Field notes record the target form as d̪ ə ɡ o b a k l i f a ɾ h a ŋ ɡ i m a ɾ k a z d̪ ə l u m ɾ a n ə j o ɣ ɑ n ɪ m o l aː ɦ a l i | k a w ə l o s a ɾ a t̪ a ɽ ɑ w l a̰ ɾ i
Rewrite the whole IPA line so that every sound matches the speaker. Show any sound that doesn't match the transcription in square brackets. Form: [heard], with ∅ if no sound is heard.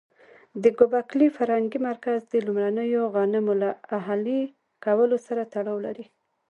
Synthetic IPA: d̪ ə ɡ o b a k l i f a ɾ h a ŋ ɡ i m a ɾ k a z d̪ ə l u m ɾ a n ə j o ɣ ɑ n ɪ m o l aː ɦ a l i | k a w ə l o s a ɾ a t̪ a ɽ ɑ w l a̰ ɾ i